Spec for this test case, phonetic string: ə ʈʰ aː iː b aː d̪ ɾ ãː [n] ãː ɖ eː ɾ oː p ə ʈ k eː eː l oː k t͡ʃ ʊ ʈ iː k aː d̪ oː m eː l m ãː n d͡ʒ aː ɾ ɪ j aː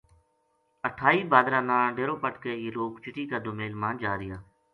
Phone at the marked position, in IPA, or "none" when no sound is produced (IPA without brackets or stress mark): n